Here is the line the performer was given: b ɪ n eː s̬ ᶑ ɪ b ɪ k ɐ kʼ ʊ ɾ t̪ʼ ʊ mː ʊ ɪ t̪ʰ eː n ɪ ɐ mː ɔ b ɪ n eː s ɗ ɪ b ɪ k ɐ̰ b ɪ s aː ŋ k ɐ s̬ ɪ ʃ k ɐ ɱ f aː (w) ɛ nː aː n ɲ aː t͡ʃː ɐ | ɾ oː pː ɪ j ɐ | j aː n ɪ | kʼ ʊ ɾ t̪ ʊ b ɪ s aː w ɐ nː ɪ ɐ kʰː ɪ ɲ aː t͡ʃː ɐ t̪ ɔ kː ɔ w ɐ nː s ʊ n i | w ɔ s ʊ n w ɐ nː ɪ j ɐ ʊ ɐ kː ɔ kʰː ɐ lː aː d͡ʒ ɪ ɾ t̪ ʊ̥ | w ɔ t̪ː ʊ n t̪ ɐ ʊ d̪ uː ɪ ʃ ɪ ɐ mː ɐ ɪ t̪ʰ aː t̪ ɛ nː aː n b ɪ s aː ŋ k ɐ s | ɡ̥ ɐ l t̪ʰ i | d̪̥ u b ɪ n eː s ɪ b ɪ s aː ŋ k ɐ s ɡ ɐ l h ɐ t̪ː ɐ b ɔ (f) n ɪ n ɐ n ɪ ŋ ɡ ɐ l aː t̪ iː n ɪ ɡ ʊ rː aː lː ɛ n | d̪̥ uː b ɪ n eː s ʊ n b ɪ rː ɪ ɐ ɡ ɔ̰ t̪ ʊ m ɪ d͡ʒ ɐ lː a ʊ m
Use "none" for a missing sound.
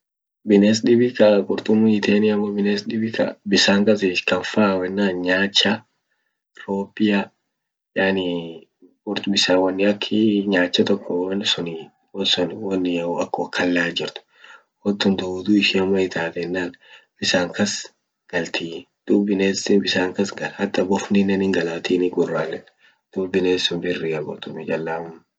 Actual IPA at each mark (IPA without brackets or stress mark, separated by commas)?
w, f